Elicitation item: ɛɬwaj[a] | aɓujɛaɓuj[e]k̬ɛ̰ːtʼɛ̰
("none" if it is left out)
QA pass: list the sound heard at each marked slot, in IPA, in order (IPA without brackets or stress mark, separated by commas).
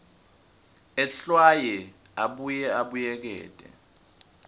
ɛ, ɛ